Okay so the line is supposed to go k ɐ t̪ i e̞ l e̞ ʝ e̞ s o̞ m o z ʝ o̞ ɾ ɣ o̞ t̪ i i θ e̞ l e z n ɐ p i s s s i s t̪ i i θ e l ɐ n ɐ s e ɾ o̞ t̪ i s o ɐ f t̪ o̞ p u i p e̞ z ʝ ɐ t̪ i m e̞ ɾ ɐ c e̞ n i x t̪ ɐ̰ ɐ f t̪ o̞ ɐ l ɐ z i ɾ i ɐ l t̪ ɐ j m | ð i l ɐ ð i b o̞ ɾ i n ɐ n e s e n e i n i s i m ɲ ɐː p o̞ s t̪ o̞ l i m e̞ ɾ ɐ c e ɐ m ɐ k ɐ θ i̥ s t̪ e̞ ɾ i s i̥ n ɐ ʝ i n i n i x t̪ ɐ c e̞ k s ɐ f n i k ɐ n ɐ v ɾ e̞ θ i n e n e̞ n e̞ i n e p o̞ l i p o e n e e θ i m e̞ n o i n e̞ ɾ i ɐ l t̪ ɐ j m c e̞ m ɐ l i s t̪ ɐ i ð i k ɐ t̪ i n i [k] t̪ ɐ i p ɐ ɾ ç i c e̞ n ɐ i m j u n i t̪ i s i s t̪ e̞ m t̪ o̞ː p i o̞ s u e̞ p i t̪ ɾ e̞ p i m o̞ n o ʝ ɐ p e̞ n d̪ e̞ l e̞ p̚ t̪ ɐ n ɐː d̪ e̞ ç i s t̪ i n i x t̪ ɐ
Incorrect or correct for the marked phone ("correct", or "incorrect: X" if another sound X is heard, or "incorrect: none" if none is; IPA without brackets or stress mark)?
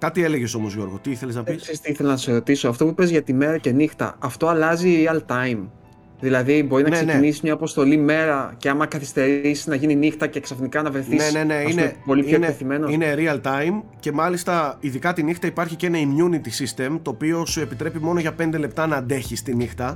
incorrect: x